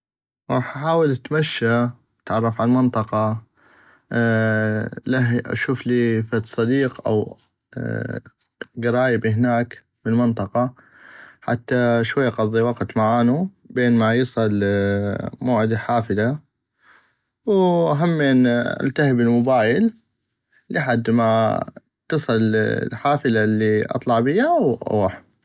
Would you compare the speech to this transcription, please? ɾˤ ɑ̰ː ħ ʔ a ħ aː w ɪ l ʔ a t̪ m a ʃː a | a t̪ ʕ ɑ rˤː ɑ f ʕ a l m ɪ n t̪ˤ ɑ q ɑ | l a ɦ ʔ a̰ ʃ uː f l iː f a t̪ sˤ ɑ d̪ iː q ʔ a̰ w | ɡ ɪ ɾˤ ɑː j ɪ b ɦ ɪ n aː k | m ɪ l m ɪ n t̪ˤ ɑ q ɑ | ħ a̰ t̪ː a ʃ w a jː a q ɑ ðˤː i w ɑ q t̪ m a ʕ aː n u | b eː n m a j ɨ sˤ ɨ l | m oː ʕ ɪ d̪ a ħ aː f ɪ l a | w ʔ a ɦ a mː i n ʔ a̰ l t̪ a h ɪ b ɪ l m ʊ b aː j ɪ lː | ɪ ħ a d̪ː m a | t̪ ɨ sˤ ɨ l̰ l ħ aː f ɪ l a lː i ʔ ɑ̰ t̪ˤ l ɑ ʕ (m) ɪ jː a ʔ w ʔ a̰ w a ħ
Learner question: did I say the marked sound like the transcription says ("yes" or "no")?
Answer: no